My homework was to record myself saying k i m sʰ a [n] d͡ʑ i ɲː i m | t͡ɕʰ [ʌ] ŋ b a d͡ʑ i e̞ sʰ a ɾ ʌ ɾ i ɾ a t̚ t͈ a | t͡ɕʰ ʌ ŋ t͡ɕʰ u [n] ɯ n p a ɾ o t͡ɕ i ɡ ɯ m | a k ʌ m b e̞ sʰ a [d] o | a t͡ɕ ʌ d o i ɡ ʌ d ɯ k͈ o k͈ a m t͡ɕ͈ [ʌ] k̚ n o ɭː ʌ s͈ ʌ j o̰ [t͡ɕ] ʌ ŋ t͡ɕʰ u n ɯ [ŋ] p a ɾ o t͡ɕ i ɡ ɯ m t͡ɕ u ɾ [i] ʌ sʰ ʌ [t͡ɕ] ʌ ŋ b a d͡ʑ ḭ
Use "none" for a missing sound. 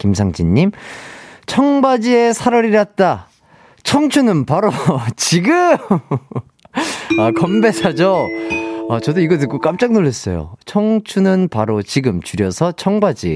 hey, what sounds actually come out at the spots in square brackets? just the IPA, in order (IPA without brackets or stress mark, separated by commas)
ŋ, ʌ, n, d͡ʑ, a, t͡ɕʰ, n, j, t͡ɕʰ